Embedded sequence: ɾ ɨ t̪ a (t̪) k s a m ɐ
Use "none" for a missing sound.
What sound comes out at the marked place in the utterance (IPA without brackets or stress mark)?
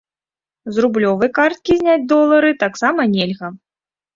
none